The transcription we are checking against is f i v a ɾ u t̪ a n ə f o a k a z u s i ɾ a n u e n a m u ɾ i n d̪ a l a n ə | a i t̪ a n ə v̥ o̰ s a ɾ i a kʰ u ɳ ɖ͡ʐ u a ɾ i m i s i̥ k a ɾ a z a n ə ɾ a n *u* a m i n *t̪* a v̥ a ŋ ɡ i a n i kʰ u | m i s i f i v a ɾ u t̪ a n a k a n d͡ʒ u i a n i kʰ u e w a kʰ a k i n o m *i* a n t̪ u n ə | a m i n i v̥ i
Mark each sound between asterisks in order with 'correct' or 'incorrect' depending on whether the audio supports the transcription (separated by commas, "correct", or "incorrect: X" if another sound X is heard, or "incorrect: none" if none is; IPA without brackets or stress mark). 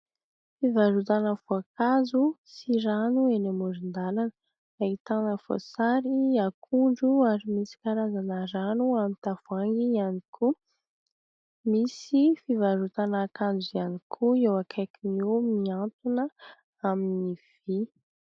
correct, correct, correct